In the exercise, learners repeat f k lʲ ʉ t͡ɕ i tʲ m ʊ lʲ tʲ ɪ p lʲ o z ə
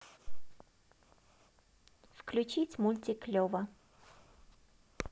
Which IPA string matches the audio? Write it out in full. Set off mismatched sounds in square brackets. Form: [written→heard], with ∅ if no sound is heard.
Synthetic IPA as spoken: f k lʲ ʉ t͡ɕ i tʲ m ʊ lʲ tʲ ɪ [p→k] lʲ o [z→v] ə